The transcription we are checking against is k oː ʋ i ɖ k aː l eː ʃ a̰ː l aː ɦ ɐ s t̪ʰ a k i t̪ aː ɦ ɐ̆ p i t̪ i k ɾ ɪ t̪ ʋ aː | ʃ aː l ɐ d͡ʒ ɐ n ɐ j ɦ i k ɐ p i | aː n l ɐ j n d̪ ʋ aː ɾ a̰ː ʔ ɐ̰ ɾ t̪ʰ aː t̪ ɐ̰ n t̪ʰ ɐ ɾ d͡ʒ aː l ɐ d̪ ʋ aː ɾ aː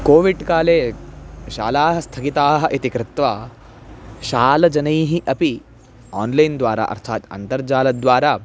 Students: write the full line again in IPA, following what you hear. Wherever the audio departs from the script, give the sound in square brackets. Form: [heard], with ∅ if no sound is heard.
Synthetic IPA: k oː ʋ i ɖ k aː l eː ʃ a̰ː l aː ɦ ɐ s t̪ʰ [ɐ] k i t̪ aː ɦ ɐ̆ [ʔ] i t̪ i k ɾ ɪ t̪ ʋ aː | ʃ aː l ɐ d͡ʒ ɐ n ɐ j ɦ i [ʔ] ɐ p i | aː n l ɐ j n d̪ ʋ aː ɾ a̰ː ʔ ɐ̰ ɾ t̪ʰ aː t̪ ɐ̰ n [t̪] ɐ ɾ d͡ʒ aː l ɐ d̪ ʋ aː ɾ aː